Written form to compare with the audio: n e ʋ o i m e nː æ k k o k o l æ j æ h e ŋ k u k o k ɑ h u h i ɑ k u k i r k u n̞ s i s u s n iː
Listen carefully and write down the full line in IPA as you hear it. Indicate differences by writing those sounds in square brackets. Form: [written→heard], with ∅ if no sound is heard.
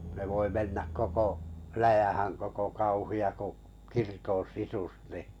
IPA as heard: n e ʋ o i m e nː æ k k o k o l æ j æ h [e→æ] ŋ k [u→o] k o k ɑ [h→∅] u h i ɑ k u k i r k [u→o] n̞ s i s u s n [iː→i]